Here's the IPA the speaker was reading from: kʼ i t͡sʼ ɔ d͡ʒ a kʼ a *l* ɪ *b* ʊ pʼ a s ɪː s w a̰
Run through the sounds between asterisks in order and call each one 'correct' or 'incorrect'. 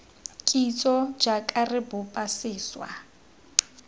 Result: incorrect: r, correct

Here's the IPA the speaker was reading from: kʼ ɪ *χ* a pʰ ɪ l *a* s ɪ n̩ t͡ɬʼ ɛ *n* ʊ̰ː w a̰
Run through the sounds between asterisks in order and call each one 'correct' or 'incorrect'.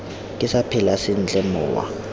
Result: incorrect: s, correct, incorrect: m

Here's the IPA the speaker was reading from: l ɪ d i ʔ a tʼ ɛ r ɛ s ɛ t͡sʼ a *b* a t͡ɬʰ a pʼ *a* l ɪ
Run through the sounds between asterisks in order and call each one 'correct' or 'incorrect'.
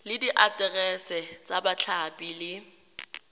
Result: correct, incorrect: i

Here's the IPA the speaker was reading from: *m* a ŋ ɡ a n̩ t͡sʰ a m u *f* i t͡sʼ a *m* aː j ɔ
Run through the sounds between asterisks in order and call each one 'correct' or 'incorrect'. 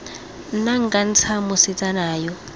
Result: incorrect: n, incorrect: s, incorrect: n

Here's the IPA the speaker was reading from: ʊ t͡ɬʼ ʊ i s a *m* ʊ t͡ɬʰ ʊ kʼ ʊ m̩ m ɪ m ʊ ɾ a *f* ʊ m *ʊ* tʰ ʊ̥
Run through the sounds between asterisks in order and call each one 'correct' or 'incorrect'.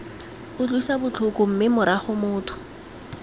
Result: incorrect: b, incorrect: χ, incorrect: ʊː

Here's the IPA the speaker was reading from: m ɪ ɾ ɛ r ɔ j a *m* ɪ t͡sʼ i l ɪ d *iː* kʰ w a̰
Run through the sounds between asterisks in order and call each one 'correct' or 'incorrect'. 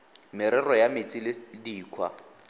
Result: correct, correct

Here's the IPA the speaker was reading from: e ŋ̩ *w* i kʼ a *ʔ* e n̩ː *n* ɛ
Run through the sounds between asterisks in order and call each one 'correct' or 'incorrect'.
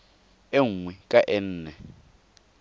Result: correct, correct, correct

